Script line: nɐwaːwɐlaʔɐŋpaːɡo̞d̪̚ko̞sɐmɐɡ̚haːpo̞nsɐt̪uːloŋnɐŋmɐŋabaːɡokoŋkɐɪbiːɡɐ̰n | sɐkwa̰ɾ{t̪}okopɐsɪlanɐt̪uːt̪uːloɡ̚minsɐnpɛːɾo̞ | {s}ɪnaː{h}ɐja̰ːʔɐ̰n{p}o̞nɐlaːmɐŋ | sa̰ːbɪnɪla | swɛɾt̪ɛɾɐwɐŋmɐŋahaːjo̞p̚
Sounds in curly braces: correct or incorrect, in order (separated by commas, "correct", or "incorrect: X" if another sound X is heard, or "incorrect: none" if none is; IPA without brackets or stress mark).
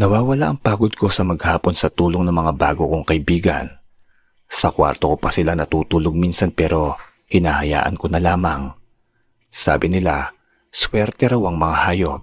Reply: correct, incorrect: h, correct, incorrect: k